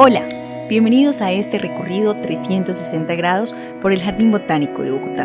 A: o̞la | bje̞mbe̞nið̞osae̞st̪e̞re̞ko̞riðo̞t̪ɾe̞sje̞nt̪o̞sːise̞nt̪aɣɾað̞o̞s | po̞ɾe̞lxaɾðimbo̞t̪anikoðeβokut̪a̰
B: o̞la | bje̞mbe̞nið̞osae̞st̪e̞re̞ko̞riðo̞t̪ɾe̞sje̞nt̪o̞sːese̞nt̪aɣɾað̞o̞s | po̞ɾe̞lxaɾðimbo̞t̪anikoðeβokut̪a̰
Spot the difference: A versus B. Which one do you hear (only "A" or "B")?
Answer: B